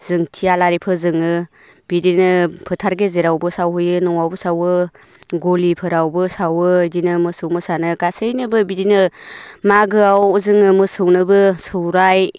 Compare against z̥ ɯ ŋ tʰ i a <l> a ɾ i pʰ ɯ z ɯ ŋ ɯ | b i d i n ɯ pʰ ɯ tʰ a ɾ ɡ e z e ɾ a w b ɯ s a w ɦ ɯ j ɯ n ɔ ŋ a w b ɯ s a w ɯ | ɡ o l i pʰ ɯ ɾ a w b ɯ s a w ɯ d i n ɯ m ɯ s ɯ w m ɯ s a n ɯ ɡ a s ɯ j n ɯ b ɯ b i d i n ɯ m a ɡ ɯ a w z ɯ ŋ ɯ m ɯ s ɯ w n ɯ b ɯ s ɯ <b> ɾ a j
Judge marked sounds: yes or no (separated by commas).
yes, no